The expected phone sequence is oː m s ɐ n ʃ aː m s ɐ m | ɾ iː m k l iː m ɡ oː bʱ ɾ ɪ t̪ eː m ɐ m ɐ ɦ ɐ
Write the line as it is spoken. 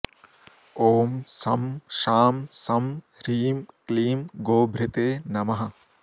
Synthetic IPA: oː m s ɐ m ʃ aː m s ɐ m | ɾ iː m k l iː m ɡ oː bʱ ɾ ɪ t̪ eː n ɐ m ɐ ɦ ɐ